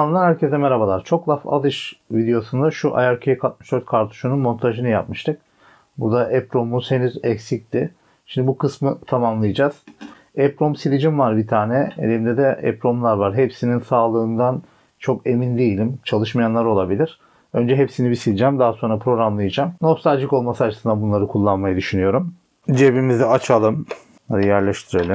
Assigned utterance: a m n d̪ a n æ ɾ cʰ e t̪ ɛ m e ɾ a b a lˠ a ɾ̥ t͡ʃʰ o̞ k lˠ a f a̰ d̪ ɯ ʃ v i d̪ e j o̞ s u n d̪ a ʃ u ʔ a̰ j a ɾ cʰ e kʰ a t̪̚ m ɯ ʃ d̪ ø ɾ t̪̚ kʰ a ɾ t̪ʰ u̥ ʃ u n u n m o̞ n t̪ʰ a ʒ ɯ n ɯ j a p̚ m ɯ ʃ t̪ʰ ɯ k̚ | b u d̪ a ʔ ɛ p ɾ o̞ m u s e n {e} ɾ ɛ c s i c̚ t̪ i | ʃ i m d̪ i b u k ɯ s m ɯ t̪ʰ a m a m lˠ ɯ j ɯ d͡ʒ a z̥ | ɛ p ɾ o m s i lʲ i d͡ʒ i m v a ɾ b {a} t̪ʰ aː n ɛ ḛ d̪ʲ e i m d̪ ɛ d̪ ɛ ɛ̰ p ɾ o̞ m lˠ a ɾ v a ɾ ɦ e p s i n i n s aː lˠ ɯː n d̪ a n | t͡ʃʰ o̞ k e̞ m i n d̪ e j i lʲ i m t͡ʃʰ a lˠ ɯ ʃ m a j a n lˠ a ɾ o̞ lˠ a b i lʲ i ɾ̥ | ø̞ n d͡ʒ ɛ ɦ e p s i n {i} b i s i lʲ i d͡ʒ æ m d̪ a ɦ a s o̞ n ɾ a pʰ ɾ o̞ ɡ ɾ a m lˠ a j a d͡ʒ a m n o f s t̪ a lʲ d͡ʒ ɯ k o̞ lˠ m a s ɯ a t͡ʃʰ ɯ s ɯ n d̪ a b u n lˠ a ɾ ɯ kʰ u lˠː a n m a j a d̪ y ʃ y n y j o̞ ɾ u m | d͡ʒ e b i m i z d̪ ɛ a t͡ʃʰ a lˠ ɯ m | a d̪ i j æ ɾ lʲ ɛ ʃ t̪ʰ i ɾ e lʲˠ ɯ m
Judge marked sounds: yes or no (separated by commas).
no, no, yes